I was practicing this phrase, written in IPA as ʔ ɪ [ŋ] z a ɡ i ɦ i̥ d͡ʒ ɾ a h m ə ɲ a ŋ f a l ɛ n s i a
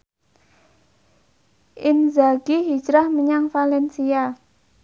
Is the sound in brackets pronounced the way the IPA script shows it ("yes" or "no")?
no